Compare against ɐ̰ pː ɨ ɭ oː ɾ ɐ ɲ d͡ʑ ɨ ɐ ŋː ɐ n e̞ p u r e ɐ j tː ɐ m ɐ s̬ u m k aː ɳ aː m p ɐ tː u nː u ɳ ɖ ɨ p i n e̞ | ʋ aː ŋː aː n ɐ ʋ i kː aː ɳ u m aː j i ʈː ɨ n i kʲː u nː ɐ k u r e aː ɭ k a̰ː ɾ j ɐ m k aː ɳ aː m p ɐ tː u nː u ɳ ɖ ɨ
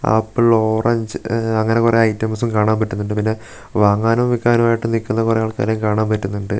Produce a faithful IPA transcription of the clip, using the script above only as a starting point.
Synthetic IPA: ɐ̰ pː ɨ ɭ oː r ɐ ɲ d͡ʑ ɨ ɐ ŋː ɐ n e̞ k u r e ɐ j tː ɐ m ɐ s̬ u m k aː ɳ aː m p ɐ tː u nː u ɳ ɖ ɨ p i nː e̞ | ʋ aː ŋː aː n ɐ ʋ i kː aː n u m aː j i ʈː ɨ n i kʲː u nː ɐ k u r e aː ɭ k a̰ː ɾ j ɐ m k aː ɳ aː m p ɐ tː u nː u ɳ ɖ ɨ